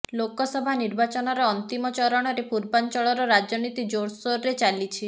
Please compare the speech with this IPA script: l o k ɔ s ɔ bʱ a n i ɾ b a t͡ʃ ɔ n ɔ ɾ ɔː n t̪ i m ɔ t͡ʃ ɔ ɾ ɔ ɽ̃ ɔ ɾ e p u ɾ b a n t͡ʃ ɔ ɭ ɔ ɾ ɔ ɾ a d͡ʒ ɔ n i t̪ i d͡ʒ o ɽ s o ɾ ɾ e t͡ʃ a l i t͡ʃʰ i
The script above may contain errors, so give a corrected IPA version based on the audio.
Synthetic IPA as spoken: l o k ɔ s ɔ bʱ a n i ɾ b a t͡ʃ ɔ n ɔ ɾ ɔː n t̪ i m ɔ t͡ʃ ɔ ɾ ɔ ɽ̃ ɔ ɾ e p u ɾ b a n t͡ʃ ɔ ɭ ɔ ɾ ɔ ɾ a d͡ʒ ɔ n i t̪ i d͡ʒ o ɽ s o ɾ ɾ e t͡ʃ a l i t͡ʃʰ i